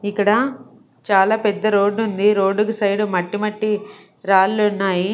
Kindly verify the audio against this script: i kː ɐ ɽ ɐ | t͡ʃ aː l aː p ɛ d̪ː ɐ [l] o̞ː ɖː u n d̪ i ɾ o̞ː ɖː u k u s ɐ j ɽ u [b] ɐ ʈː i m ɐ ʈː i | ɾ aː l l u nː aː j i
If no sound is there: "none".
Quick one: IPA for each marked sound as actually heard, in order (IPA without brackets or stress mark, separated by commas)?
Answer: ɾ, m